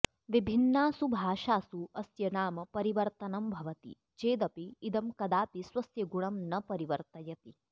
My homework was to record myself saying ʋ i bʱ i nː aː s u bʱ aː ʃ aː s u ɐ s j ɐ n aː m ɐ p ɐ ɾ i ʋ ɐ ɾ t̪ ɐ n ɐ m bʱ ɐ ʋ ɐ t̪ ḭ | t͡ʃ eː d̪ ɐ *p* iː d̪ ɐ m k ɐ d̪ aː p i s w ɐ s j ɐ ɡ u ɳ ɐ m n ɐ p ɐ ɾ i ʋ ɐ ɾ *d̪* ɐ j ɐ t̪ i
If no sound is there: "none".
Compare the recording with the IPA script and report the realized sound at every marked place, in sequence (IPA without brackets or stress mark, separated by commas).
p, t̪